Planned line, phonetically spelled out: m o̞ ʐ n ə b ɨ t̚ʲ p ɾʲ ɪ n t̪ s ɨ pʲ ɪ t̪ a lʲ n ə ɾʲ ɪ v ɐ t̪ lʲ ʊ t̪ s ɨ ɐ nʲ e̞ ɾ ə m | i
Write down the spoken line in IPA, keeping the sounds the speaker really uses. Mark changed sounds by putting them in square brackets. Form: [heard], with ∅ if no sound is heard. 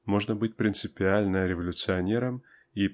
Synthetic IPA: m o̞ ʐ n ə b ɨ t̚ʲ p ɾʲ ɪ n t̪ s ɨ pʲ ɪ [∅] a lʲ n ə ɾʲ ɪ v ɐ [∅] lʲ ʊ t̪ s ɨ ɐ nʲ e̞ ɾ ə m | i